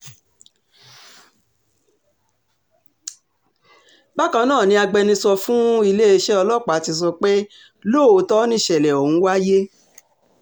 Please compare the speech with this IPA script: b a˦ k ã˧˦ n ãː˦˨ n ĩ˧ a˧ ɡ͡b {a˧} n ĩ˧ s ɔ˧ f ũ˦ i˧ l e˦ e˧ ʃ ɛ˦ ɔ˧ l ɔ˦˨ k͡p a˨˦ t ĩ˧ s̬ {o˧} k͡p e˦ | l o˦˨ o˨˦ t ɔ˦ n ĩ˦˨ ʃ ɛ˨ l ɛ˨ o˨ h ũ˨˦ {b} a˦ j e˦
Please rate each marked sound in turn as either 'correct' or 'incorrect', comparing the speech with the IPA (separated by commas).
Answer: incorrect, incorrect, incorrect